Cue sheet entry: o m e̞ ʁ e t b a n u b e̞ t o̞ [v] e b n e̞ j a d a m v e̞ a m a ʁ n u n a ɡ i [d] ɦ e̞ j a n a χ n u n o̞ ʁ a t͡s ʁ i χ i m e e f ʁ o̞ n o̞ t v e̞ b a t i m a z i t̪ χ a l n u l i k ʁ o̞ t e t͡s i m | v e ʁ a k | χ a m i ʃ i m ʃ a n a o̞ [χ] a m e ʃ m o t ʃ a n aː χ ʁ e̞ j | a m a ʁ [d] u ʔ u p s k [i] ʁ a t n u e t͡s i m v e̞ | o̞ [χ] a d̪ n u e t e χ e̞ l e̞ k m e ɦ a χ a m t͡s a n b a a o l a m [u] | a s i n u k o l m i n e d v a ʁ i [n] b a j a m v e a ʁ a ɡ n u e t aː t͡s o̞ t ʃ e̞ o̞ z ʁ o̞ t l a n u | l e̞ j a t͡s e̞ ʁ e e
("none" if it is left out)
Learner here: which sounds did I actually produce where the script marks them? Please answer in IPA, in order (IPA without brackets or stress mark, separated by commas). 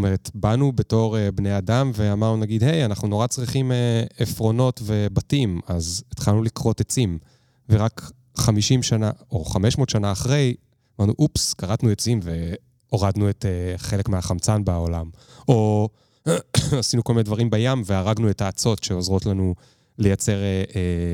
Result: ʁ, d, χ, n, a, ʁ, o, m